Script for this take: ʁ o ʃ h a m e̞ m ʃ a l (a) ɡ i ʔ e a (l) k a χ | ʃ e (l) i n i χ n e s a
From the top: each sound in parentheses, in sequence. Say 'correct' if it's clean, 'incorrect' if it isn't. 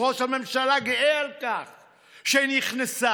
correct, correct, incorrect: none

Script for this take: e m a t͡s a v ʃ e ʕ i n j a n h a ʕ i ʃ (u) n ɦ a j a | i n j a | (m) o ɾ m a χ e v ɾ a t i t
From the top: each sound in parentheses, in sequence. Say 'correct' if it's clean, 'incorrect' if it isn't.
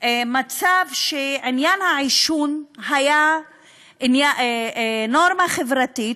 correct, incorrect: n

